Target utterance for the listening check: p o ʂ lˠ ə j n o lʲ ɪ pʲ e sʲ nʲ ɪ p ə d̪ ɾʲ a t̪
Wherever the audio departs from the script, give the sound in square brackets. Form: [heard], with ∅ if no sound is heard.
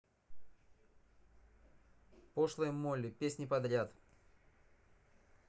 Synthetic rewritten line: p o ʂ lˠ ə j [m] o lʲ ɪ pʲ e sʲ nʲ ɪ p [ɐ] d̪ ɾʲ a t̪